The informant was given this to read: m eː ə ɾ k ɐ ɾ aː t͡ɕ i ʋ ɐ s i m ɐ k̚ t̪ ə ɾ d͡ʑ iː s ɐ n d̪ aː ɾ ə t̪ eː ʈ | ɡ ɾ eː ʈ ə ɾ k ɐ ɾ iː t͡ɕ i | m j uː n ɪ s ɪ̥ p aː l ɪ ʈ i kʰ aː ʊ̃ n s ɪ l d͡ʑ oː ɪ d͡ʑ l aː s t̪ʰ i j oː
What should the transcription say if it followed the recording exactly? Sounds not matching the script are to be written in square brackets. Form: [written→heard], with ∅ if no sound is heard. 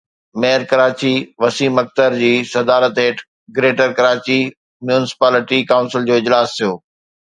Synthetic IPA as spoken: m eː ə ɾ k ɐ ɾ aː t͡ɕ i ʋ ɐ s [i→iː] m ɐ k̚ t̪ ə ɾ d͡ʑ iː s ɐ [n→∅] d̪ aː ɾ ə t̪ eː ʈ | ɡ ɾ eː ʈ ə ɾ k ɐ ɾ [iː→aː] t͡ɕ i | m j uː n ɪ s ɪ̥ p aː l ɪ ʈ i [kʰ→k] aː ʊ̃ n s ɪ l d͡ʑ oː ɪ d͡ʑ l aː s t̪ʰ i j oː